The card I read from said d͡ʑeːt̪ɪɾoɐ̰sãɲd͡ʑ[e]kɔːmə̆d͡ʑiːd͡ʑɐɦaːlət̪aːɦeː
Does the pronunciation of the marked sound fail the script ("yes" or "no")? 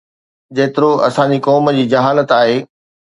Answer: yes